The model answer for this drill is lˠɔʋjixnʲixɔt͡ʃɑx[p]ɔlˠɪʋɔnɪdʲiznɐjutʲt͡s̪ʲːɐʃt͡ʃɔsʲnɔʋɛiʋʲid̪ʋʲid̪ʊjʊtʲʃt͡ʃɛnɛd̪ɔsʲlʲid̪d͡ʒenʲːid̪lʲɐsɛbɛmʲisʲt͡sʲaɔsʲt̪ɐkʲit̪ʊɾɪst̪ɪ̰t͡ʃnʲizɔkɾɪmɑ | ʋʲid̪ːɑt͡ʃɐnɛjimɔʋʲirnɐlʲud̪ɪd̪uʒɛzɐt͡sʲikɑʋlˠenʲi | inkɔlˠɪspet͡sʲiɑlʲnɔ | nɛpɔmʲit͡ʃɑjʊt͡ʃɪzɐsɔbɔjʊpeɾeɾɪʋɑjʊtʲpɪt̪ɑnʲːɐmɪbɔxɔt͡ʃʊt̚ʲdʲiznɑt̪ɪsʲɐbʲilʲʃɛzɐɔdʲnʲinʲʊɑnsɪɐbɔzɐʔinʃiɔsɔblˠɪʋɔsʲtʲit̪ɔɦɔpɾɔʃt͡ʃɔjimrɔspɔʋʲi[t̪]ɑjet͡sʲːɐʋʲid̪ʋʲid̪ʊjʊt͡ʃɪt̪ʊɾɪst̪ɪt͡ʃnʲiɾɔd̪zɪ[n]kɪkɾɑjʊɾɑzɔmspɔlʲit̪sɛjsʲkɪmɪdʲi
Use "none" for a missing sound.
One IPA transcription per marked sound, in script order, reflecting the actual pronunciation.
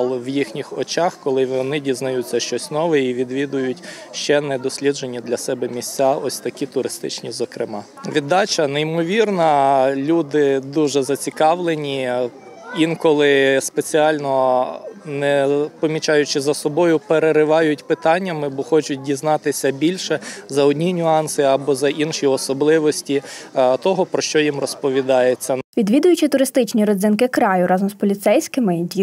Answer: k, d̪, n

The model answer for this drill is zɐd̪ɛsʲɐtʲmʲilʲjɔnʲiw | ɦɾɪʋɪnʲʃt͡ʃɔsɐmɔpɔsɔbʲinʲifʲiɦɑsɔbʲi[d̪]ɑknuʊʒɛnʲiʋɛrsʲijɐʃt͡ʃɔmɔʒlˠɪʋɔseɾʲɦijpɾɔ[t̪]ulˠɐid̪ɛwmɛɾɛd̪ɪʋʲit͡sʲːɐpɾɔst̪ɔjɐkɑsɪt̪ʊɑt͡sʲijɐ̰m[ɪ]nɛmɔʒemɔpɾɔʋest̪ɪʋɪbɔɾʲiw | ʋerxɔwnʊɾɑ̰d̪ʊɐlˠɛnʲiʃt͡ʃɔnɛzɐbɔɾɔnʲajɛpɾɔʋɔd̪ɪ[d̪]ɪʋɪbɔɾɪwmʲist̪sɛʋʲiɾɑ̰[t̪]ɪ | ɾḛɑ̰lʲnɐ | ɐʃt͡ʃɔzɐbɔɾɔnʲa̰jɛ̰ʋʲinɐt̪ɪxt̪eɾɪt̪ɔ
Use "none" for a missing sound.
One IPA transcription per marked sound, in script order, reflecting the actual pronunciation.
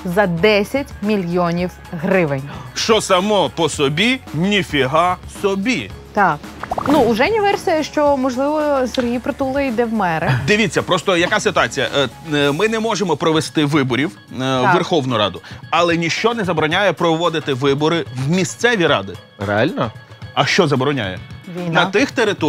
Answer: t̪, t̪, ɪ, t̪, d̪

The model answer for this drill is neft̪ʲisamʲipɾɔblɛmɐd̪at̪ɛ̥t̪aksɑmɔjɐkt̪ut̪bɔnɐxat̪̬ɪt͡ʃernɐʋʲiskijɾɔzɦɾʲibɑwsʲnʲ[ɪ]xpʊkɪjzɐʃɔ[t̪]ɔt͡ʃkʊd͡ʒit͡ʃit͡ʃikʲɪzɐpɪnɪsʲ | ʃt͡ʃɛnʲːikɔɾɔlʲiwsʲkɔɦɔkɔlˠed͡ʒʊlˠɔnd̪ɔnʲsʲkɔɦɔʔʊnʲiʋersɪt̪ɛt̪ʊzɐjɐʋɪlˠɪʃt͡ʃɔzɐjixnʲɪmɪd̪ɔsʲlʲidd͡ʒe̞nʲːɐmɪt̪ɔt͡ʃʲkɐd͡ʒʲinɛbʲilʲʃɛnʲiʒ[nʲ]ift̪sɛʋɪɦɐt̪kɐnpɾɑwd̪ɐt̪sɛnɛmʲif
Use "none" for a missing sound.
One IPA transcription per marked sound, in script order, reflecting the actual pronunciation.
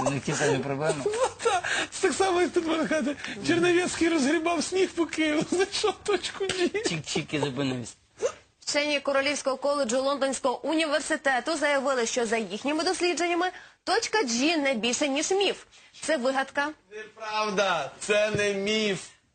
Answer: i, t̪, mʲ

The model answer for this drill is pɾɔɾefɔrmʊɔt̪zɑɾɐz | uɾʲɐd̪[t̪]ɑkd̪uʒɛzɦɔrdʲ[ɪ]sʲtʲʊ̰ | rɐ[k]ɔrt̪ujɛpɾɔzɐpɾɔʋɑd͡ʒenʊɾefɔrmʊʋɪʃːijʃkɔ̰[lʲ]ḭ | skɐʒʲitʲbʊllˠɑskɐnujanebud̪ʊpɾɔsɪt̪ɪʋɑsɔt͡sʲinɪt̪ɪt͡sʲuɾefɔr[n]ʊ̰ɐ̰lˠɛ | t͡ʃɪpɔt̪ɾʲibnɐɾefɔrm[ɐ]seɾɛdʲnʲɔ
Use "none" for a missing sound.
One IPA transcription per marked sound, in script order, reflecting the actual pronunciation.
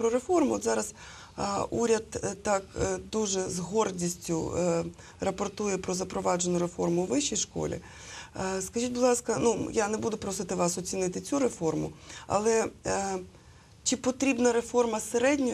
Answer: t̪, i, p, lʲ, m, ɐ

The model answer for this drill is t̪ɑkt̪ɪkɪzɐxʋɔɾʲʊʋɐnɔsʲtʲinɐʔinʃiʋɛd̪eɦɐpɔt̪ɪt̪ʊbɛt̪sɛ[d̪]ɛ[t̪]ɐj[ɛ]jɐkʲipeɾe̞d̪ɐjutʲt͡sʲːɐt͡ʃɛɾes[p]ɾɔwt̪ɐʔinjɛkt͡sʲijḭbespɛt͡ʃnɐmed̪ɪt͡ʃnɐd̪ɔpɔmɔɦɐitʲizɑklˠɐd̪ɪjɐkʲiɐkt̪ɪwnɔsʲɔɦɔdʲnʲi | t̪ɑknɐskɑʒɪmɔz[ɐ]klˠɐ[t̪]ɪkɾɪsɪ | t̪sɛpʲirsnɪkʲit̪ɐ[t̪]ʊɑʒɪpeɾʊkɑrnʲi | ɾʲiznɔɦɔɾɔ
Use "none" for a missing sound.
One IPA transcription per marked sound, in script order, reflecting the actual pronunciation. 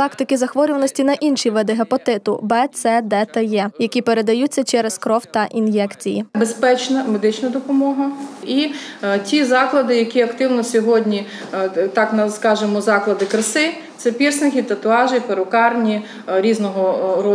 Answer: d̪, t̪, ɛ, k, ɑ, d̪, t̪

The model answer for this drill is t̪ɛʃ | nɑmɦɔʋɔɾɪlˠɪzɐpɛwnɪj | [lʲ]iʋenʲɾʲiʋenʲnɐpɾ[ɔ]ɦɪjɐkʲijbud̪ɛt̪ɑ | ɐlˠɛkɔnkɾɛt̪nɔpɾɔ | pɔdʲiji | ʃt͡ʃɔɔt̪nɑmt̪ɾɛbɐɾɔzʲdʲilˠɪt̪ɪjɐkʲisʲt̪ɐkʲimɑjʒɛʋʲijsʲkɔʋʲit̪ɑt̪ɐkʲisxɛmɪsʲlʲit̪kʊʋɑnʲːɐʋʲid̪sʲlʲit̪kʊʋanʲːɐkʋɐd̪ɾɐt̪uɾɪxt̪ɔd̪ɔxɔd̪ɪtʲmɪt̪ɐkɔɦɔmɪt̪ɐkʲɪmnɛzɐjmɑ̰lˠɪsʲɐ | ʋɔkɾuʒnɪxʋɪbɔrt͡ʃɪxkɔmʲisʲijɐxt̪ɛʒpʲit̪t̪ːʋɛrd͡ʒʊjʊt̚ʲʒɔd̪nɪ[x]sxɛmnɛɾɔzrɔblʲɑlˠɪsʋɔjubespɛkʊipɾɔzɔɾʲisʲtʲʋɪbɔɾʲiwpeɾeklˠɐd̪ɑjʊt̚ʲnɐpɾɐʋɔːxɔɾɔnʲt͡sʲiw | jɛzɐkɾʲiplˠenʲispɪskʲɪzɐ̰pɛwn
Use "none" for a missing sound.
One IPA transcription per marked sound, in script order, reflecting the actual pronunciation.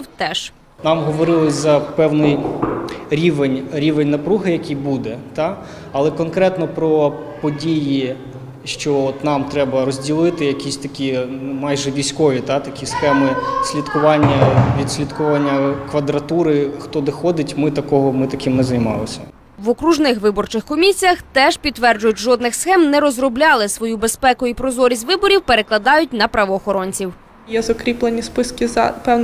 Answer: ɾʲ, u, x

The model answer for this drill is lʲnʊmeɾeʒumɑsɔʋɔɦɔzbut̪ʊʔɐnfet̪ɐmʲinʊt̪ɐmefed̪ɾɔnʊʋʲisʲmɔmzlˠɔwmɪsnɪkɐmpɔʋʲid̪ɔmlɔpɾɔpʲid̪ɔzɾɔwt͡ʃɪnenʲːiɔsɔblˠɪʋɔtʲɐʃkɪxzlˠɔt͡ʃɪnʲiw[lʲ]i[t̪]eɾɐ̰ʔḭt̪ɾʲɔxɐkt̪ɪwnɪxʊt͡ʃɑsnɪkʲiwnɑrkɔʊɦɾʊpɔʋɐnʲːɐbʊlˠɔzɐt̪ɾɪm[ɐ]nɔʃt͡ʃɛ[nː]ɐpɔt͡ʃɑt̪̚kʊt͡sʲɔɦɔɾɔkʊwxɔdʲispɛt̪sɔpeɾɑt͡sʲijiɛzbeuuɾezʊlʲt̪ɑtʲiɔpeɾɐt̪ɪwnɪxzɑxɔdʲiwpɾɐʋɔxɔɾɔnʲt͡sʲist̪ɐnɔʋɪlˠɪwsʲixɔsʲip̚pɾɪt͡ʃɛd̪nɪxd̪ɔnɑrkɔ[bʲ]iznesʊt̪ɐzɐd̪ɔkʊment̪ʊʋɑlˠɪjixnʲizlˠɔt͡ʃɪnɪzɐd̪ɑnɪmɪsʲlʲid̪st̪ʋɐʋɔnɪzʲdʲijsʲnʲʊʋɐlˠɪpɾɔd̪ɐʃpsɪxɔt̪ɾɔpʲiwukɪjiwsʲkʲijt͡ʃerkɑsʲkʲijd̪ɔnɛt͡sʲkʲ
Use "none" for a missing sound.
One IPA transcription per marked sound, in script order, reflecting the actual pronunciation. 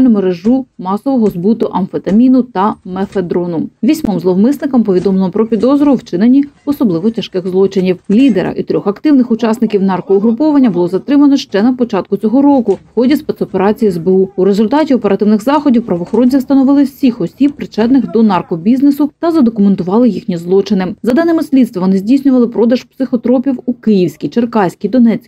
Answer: lʲ, d̪, ɐ, n, bʲ

